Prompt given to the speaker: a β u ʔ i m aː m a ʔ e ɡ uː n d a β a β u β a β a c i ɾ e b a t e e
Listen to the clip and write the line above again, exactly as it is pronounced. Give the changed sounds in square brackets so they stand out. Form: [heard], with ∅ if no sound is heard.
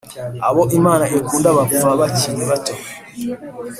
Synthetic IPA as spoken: a β [o] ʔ i m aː [n] a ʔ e [k] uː n d a β a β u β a β a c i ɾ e [β] a t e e